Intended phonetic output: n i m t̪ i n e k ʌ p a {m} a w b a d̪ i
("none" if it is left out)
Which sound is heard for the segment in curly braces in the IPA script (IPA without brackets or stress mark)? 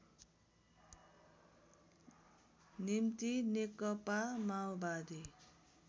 m